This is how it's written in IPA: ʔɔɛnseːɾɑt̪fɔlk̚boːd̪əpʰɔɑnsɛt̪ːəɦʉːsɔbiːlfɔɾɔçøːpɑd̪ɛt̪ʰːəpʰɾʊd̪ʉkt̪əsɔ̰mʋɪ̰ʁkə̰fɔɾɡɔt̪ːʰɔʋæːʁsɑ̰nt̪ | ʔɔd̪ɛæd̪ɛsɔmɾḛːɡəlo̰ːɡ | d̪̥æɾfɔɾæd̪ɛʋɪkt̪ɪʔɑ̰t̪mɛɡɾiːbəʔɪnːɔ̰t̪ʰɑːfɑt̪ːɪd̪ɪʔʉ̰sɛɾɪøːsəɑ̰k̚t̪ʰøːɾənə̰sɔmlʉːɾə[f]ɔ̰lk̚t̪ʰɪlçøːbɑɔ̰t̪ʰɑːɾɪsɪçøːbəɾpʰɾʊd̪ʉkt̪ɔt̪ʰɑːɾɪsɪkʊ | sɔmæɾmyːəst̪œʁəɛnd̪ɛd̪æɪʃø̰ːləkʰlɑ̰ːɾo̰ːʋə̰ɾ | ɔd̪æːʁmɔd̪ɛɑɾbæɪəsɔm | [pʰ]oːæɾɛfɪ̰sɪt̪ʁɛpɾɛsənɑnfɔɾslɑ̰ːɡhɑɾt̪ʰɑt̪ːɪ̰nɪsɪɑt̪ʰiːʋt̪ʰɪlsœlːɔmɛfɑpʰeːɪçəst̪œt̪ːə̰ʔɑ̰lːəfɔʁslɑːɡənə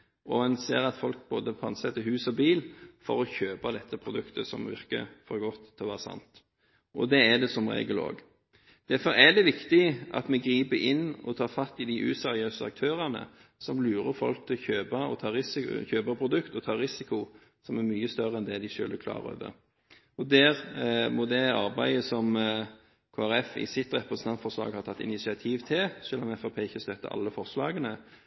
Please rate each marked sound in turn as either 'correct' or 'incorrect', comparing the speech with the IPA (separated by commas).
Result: correct, incorrect